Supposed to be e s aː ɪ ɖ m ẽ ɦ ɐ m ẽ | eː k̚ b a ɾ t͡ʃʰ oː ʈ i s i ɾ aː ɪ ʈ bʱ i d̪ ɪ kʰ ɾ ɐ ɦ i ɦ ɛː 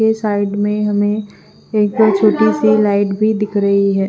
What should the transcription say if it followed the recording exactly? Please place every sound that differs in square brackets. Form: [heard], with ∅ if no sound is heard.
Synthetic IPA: e s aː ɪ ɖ m ẽ ɦ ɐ m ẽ | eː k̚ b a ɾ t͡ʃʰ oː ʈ i s i [l] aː ɪ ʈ bʱ i d̪ ɪ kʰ ɾ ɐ ɦ i ɦ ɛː